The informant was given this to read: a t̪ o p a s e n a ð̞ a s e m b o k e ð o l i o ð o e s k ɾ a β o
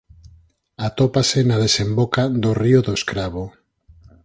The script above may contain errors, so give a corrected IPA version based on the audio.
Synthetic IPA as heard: a t̪ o p a s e n a ð̞ e s e m b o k a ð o r i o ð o e s k ɾ a β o